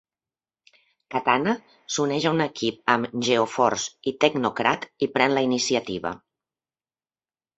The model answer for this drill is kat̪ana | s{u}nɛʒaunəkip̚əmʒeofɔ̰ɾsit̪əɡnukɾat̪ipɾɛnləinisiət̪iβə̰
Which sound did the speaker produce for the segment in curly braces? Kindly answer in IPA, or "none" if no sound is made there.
u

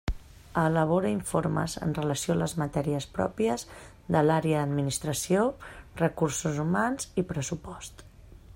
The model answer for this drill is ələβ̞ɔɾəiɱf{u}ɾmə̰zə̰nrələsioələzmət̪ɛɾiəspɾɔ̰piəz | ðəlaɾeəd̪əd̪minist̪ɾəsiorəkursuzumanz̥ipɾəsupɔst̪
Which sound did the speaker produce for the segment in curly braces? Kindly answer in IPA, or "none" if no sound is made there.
o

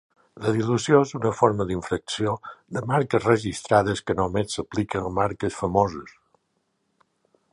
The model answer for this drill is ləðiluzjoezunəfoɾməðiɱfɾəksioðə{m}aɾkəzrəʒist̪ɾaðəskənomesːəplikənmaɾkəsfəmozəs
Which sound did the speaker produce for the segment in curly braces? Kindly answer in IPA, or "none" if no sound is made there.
m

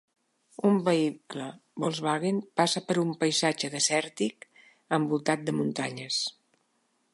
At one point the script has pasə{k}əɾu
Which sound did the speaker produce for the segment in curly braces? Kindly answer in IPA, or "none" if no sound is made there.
p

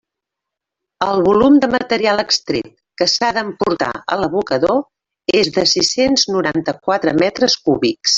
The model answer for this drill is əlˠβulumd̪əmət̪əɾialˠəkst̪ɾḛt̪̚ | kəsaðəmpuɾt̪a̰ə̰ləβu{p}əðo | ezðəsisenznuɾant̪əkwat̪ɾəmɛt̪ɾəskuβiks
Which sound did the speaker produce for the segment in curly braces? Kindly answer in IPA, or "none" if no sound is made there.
k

